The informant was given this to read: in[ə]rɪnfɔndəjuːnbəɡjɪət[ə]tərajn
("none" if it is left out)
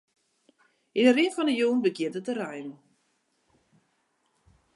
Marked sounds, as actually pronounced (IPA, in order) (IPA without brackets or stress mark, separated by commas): ə, ə